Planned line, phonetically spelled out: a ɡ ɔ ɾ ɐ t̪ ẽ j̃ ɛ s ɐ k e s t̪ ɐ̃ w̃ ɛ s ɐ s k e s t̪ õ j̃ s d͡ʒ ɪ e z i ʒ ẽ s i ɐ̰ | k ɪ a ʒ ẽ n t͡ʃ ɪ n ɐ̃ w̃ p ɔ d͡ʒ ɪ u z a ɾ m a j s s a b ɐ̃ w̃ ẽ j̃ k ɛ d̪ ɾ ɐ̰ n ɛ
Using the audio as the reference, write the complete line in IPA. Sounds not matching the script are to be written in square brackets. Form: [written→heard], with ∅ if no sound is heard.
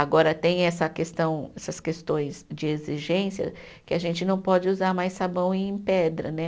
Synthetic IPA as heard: a ɡ ɔ ɾ ɐ t̪ ẽ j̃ ɛ s ɐ k e s t̪ ɐ̃ w̃ ɛ s ɐ s k e s t̪ õ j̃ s d͡ʒ ɪ e z i ʒ ẽ s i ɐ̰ | k ɪ a ʒ ẽ n t͡ʃ ɪ n ɐ̃ w̃ p ɔ d͡ʒ ɪ u z a ɾ m a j s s a b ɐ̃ w̃ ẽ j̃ [k→p] ɛ d̪ ɾ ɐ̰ n ɛ